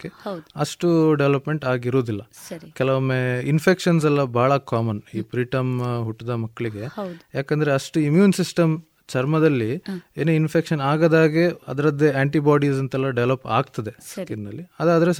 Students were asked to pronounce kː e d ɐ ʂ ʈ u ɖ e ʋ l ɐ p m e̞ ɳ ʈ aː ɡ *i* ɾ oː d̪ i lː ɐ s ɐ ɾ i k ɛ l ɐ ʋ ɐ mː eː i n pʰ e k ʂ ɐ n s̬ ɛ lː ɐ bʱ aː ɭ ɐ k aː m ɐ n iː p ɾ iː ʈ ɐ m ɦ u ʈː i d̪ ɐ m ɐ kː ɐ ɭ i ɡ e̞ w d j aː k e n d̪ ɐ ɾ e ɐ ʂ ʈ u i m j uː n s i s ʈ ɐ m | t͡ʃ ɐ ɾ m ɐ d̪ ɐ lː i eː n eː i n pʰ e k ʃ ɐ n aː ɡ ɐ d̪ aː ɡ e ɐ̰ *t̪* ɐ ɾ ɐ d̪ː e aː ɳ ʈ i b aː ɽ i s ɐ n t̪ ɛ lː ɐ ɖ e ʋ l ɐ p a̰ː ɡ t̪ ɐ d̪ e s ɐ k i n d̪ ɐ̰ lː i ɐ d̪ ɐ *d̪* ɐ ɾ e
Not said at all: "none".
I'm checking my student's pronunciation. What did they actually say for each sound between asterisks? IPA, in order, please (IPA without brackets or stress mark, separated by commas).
i, d̪, d̪